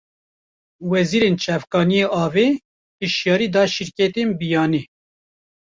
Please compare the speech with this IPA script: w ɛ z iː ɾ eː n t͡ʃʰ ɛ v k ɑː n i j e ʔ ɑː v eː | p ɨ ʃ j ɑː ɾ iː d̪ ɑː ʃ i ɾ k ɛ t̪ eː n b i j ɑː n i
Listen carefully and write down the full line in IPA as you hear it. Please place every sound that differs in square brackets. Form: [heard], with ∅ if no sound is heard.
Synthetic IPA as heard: w ɛ z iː ɾ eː n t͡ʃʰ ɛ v k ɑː n i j e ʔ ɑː v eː | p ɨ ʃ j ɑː ɾ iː d̪ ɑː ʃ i ɾ k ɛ t̪ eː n b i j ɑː n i